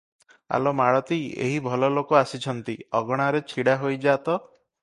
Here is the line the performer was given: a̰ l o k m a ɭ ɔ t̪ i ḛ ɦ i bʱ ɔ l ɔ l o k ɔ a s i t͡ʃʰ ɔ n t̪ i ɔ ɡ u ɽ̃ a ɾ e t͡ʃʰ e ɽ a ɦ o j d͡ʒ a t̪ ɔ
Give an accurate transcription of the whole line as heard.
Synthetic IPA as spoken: a̰ l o m a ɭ ɔ t̪ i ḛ ɦ i bʱ ɔ l ɔ l o k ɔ a s i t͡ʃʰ ɔ n t̪ i ɔ ɡ ɔ ɽ̃ a ɾ e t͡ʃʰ i ɽ a ɦ o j d͡ʒ a t̪ ɔ